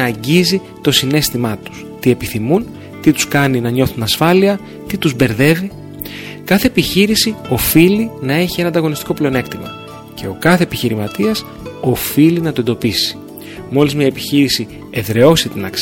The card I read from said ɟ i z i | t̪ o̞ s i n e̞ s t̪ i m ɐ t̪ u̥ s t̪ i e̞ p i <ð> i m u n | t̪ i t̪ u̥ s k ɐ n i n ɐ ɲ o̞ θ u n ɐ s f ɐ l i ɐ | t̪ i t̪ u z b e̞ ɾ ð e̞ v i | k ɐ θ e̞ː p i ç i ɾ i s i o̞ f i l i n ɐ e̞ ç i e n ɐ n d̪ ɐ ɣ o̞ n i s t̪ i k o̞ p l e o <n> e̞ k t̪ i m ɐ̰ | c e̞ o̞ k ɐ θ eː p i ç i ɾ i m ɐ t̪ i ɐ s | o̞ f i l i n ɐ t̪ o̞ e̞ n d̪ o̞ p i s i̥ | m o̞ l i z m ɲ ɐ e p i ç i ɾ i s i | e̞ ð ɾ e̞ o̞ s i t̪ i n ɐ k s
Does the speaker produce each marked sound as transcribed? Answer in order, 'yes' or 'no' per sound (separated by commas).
no, yes